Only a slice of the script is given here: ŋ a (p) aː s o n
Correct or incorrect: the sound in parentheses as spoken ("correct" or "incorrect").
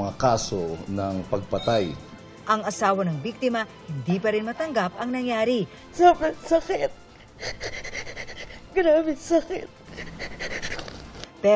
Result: incorrect